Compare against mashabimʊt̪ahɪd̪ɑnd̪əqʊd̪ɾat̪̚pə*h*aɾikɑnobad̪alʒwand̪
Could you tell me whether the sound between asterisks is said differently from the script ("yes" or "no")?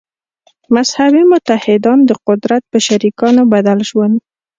yes